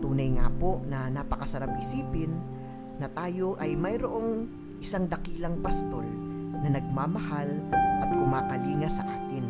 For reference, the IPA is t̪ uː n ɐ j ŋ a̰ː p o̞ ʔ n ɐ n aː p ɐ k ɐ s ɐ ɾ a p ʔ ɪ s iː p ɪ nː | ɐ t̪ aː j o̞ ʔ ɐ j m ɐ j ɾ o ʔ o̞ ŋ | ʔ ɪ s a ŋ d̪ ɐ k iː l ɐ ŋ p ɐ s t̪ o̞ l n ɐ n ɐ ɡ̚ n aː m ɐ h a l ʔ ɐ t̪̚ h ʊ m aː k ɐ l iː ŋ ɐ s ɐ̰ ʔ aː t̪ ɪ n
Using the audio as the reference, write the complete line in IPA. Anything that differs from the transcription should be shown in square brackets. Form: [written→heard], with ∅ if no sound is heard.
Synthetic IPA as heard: t̪ uː n ɐ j ŋ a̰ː p o̞ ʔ n ɐ n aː p ɐ k ɐ s ɐ ɾ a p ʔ ɪ s iː p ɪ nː | ɐ t̪ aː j o̞ ʔ ɐ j m ɐ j ɾ o ʔ o̞ ŋ | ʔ ɪ s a ŋ d̪ ɐ k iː l ɐ ŋ p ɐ s t̪ o̞ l n ɐ n ɐ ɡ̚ [n→m] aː m ɐ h a l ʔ ɐ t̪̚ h ʊ m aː k ɐ l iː ŋ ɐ s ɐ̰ ʔ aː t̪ ɪ n